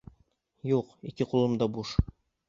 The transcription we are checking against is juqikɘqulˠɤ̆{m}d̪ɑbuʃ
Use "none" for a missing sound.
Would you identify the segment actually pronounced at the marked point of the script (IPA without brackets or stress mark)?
m